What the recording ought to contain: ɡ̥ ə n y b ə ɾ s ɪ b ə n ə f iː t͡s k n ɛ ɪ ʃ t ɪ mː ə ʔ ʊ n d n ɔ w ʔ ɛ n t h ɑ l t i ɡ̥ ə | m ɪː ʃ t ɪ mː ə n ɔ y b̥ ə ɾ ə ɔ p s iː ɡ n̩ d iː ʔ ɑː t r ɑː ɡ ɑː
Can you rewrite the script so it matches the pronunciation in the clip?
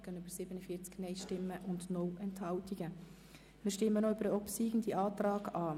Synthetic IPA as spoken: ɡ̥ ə n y b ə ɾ s ɪ b ə n ə f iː t͡s k n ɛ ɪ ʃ t ɪ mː ə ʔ ʊ n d n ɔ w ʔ ɛ n t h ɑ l t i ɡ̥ ə | m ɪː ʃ t ɪ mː ə n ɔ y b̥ ə ɾ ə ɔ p s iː ɡ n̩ d i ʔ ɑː t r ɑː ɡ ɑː